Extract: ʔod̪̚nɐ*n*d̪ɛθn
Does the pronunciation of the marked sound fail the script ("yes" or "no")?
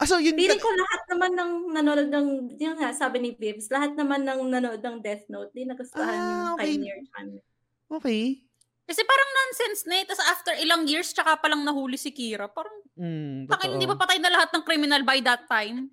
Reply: yes